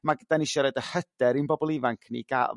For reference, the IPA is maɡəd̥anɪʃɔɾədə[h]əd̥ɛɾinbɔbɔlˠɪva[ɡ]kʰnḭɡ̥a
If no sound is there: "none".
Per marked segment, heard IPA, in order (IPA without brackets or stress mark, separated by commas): h, ŋ